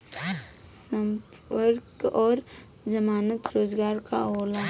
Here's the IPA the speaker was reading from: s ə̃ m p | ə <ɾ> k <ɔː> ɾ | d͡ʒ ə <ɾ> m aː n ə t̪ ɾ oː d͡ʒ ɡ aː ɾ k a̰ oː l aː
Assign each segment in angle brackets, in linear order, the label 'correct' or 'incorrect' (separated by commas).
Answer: correct, correct, incorrect